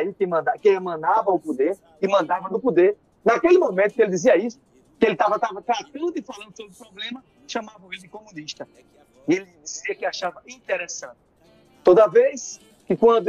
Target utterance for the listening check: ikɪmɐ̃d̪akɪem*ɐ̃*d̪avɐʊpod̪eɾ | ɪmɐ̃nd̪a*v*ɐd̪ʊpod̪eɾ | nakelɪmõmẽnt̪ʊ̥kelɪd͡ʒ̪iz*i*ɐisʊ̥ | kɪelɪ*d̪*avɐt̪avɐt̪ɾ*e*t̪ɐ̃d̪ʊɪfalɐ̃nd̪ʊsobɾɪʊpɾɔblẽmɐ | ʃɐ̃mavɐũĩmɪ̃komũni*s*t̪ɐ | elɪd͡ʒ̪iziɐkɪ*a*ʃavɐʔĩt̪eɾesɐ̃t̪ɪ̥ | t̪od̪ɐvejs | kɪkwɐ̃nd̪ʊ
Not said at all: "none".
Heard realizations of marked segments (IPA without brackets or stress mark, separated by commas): ɐ̃, v, i, t̪, a, ʃ, a